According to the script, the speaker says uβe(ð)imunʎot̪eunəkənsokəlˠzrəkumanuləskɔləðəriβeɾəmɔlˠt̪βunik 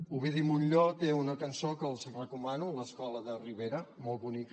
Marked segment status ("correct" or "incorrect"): correct